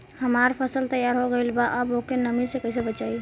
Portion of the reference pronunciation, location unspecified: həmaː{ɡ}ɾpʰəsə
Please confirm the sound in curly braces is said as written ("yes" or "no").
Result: no